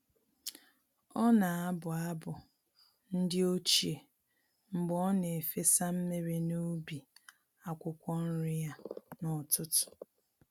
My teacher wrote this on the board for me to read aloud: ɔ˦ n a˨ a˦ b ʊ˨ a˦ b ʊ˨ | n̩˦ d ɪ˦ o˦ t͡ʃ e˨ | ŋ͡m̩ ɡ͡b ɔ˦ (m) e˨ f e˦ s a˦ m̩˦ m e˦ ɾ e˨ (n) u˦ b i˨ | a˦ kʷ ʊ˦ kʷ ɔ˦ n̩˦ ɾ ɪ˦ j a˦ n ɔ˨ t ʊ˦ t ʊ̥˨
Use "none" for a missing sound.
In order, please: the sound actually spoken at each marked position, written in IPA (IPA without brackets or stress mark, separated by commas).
n, n